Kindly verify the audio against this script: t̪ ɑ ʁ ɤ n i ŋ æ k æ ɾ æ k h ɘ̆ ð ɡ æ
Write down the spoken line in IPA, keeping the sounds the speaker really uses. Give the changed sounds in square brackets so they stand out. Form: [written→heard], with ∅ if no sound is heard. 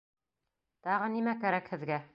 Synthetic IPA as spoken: t̪ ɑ ʁ ɤ n i [ŋ→m] æ k æ ɾ æ k h ɘ̆ ð ɡ æ